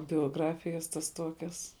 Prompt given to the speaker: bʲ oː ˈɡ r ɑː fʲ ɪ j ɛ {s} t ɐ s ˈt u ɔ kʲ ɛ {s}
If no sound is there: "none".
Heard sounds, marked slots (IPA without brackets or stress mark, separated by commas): s, s